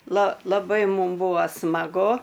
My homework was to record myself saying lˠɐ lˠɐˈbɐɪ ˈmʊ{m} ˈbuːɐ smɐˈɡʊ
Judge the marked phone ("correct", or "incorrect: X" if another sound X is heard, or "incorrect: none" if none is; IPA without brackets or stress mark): correct